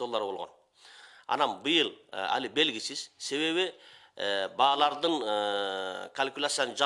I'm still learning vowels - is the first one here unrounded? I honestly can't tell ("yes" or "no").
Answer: no